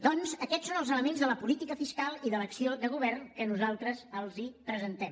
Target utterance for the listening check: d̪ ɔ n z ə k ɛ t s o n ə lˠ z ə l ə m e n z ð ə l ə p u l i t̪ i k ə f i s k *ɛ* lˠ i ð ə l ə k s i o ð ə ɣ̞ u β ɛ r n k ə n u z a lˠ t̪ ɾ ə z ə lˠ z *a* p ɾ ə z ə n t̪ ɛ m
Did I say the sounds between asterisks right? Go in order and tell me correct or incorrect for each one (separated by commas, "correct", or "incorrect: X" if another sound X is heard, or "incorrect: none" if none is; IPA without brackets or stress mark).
incorrect: a, incorrect: i